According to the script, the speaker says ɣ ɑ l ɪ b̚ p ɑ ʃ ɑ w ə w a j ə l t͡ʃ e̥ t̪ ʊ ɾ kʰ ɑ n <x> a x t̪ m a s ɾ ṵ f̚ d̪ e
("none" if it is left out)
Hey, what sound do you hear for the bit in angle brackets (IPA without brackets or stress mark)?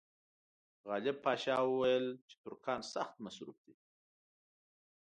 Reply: s